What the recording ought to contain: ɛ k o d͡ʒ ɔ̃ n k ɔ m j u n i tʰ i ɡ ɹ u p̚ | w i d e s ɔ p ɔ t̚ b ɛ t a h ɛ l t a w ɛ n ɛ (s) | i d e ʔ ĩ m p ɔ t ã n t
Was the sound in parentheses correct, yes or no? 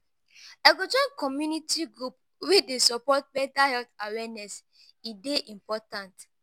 yes